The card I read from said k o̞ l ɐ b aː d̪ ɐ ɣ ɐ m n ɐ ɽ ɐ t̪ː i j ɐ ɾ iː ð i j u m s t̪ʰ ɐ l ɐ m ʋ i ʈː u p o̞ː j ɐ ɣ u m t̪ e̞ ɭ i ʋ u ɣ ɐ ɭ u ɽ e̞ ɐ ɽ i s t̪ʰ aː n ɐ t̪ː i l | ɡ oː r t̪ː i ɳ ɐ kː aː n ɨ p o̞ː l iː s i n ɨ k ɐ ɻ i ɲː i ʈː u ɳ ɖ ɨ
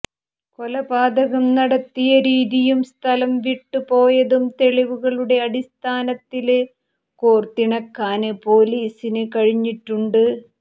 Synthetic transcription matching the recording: k o̞ l ɐ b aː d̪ ɐ ɣ ɐ m n ɐ ɽ ɐ t̪ː i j ɐ ɾ iː ð i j u m s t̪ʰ ɐ l ɐ m ʋ i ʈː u p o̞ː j ɐ ð u m t̪ e̞ ɭ i ʋ u ɣ ɐ ɭ u ɽ e̞ ɐ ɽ i s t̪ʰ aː n ɐ t̪ː i l | k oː r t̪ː i ɳ ɐ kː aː n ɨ p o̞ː l iː s i n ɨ k ɐ ɻ i ɲː i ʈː u ɳ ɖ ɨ